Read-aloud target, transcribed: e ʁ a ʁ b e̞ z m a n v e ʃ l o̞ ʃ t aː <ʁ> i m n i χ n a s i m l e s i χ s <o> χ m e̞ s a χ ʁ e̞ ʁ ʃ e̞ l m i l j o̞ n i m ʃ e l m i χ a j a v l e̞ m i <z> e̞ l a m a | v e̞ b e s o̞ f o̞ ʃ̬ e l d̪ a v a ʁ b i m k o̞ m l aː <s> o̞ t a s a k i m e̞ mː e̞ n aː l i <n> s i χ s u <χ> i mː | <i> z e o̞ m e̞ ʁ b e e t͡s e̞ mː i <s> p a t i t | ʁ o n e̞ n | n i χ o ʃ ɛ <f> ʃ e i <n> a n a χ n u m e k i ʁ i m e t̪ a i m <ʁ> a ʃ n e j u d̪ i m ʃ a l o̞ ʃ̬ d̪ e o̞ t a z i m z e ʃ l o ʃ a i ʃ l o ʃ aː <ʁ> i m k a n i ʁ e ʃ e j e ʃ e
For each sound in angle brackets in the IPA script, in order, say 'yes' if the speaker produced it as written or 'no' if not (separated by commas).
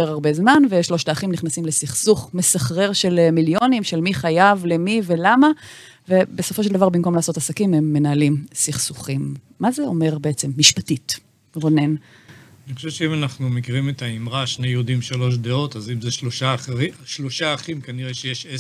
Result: no, no, no, yes, no, yes, no, no, no, no, yes, no